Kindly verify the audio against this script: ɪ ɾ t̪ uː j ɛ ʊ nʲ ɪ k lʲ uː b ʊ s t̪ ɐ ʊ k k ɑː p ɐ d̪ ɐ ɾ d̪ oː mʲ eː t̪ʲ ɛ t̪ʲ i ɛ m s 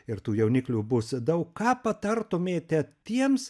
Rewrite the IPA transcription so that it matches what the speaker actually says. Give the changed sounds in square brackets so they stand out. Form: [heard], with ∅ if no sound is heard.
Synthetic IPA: ɪ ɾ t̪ uː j ɛ ʊ nʲ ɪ k lʲ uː b ʊ s [d̪] ɐ ʊ k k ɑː p ɐ [t̪] ɐ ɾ [t̪] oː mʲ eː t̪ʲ ɛ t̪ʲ i ɛ m s